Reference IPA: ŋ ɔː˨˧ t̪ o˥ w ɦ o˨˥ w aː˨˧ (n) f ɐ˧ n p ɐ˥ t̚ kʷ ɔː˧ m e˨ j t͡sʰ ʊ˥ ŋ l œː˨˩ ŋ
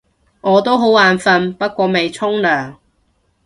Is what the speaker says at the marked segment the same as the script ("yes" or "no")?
yes